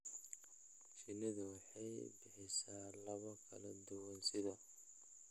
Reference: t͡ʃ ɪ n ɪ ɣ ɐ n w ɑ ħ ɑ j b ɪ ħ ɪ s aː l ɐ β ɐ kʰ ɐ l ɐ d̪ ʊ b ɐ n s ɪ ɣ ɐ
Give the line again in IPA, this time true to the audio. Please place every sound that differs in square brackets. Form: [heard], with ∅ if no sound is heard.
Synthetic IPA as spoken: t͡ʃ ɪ n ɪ [ð] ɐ [∅] w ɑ ħ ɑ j b ɪ ħ ɪ s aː l ɐ β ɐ kʰ ɐ l ɐ d̪ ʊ [w] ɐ n s ɪ [ð] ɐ